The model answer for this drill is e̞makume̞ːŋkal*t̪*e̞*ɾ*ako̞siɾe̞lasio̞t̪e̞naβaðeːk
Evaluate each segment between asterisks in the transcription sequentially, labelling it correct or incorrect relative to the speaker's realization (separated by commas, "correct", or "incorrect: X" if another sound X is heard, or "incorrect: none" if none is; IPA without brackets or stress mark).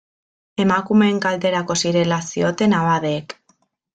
incorrect: d̪, correct